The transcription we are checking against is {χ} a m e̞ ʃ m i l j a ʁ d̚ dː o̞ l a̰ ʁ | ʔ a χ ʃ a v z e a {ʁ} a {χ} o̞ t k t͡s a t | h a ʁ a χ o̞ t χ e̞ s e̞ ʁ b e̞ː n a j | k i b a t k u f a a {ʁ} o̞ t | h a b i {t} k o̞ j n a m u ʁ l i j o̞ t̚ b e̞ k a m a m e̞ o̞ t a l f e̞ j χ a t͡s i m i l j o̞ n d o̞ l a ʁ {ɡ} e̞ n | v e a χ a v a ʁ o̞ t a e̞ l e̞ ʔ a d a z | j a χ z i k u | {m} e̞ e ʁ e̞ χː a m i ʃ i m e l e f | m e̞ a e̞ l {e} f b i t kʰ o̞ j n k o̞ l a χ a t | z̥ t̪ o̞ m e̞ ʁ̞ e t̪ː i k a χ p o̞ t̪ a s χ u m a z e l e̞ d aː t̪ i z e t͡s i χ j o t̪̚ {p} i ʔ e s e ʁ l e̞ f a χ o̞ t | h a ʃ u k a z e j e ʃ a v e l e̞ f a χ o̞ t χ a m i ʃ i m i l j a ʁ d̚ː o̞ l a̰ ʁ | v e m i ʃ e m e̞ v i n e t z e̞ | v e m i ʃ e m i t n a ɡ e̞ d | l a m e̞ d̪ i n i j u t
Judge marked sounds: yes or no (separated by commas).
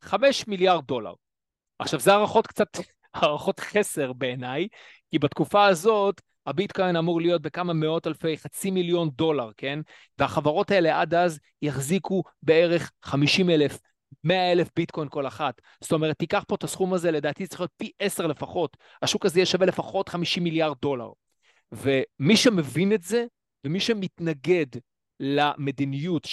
yes, yes, yes, no, yes, no, no, yes, yes